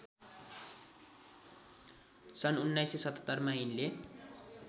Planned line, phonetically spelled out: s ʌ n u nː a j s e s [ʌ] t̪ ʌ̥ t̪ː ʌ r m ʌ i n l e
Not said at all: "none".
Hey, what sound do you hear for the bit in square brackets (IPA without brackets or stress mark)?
ʌ